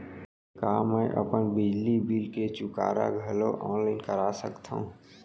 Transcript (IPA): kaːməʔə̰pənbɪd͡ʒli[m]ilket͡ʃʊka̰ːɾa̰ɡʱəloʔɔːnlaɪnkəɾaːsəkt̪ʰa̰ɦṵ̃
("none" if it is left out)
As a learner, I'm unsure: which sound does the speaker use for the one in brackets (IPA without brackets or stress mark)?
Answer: b